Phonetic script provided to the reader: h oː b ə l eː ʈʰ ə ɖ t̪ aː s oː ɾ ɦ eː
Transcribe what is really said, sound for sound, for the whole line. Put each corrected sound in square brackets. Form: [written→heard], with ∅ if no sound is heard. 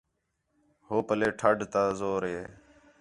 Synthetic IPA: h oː [b→p] ə l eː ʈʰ ə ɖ t̪ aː [s→z] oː ɾ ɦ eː